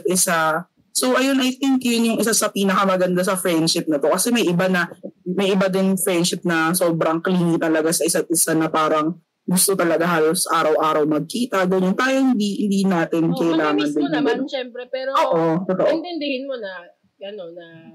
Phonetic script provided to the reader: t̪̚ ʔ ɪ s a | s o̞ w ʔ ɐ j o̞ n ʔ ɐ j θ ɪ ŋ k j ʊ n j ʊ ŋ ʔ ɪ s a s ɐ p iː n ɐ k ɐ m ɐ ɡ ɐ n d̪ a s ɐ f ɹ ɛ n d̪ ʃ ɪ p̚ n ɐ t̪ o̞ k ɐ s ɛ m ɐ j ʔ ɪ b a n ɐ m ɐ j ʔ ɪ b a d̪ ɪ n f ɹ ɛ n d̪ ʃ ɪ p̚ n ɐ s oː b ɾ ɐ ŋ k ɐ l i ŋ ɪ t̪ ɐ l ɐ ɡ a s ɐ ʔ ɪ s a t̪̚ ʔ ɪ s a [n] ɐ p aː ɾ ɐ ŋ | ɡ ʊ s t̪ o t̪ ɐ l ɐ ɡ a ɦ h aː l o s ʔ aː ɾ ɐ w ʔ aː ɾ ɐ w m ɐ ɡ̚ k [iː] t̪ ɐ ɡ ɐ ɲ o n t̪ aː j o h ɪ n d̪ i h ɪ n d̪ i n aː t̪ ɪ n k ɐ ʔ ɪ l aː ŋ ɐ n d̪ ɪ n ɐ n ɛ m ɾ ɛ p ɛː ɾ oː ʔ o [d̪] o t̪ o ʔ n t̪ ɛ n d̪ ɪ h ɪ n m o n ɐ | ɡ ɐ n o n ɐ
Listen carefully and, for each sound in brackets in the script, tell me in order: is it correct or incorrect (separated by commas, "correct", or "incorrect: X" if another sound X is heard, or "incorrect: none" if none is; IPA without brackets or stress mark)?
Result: correct, correct, incorrect: t̪